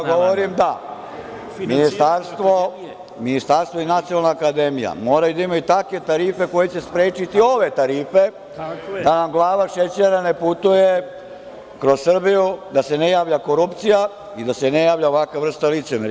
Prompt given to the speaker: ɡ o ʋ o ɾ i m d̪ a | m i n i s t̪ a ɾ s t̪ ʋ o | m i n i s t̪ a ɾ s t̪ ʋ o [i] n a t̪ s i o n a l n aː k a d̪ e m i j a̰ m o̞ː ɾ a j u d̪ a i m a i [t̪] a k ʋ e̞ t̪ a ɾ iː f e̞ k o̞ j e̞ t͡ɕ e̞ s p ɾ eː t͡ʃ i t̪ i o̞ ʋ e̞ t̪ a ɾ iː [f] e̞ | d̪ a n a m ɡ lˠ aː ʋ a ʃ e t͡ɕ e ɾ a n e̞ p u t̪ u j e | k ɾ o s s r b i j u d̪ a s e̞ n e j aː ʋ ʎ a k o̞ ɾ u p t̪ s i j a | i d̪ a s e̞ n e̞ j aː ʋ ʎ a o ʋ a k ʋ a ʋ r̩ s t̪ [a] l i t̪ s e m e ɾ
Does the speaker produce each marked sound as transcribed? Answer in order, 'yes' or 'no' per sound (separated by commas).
yes, yes, yes, yes